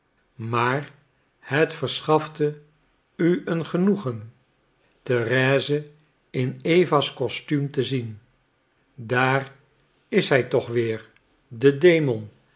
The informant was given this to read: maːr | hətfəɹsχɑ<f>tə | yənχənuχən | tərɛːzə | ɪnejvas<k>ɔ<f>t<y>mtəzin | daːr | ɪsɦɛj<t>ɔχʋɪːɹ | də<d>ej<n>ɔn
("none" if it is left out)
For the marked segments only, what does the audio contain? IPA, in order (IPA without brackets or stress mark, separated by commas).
f, k, s, y, t, d, m